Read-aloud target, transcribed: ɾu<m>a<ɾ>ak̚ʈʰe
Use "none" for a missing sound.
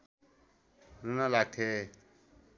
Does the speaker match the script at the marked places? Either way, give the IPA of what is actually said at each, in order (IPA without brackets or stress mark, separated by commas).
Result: n, l